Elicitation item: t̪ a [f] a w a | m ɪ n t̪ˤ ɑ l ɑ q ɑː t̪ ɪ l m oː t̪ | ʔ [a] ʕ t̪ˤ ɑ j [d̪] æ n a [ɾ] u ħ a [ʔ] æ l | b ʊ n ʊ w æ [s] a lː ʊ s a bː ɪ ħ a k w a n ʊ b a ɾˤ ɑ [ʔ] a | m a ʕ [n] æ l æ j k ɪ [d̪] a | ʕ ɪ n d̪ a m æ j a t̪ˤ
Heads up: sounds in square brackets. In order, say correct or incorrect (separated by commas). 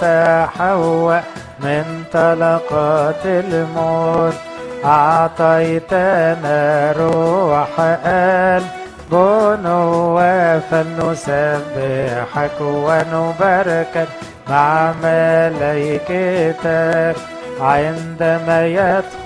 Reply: incorrect, incorrect, incorrect, correct, correct, incorrect, incorrect, incorrect, incorrect